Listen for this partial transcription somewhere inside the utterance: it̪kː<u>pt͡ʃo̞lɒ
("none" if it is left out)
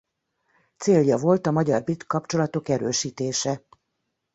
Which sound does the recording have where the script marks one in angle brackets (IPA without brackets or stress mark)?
ɒ